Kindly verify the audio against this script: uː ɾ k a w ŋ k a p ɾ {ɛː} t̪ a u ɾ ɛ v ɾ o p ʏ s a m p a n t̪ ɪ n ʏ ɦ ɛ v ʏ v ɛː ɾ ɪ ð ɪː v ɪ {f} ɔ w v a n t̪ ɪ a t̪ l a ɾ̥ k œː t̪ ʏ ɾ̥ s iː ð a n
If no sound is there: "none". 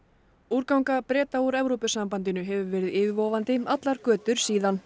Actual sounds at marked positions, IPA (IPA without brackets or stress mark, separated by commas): ɛː, v